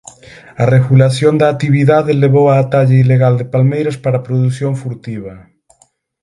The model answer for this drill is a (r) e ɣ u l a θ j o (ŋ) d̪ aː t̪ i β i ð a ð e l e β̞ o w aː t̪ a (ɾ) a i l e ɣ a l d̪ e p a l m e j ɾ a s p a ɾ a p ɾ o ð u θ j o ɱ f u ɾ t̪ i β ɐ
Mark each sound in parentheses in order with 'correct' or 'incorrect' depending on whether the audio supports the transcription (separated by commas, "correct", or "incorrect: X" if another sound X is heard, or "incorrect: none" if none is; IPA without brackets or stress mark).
correct, incorrect: n, incorrect: ʎ